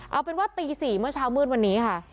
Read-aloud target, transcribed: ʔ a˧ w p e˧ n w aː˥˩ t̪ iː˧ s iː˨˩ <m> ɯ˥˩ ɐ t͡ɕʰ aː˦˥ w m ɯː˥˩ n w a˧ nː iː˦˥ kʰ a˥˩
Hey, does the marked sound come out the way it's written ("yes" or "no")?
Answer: yes